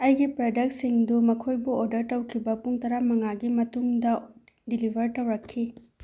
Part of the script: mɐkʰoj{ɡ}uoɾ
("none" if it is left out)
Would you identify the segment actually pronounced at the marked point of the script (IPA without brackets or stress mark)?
b